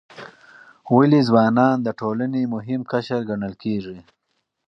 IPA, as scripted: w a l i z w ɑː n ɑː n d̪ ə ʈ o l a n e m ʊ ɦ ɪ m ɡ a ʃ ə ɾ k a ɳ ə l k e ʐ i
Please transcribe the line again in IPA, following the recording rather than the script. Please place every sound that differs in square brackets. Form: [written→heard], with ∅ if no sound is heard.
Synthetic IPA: w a l i z w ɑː n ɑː n d̪ ə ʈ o l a n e m ʊ ɦ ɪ m [ɡ→k] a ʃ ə ɾ [k→ɡ] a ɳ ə l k e ʐ i